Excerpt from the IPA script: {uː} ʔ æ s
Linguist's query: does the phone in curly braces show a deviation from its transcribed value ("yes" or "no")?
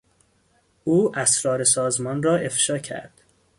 no